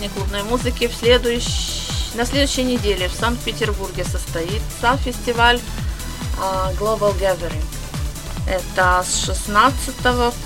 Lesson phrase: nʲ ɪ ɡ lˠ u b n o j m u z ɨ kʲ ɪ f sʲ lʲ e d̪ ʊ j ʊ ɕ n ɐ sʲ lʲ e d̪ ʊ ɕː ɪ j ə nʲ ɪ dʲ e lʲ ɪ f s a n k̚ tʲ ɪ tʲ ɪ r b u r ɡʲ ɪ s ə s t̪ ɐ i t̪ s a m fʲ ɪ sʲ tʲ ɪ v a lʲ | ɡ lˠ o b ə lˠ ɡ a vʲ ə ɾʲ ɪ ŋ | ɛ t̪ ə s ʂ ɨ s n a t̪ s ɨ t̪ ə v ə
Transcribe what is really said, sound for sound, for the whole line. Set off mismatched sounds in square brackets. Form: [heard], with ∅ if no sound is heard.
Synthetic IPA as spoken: nʲ ɪ [k] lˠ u b n o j m u z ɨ kʲ ɪ f sʲ lʲ e d̪ ʊ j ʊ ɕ n ɐ sʲ lʲ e d̪ ʊ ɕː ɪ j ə nʲ ɪ dʲ e lʲ ɪ f s a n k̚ [pʲ] ɪ tʲ ɪ r b u r ɡʲ ɪ s ə s t̪ ɐ i t̪ s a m fʲ ɪ sʲ tʲ ɪ v a lʲ | ɡ lˠ o b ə lˠ ɡ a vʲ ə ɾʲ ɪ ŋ | ɛ t̪ ə s ʂ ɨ s n a t̪ s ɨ t̪ ə v ə